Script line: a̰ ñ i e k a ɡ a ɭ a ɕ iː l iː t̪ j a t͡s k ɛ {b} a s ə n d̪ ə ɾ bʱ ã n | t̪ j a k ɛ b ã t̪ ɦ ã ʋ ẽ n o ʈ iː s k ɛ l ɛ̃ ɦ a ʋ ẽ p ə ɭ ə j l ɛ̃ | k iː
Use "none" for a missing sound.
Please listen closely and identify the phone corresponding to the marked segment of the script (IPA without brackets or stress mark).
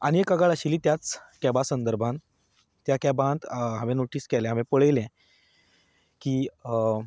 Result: b